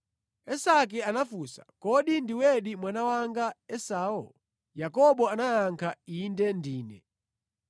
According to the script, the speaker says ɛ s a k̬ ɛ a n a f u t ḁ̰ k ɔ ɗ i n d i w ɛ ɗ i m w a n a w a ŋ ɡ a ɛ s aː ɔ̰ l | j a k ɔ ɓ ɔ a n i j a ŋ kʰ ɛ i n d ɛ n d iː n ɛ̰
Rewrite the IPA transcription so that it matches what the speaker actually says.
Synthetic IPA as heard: ɛ s a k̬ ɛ a n a f u s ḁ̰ k ɔ ɗ i n d i w ɛ ɗ i m w a n a w a ŋ ɡ a ɛ s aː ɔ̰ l | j a k ɔ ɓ ɔ a n a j a ŋ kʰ a i n d ɛ n d iː n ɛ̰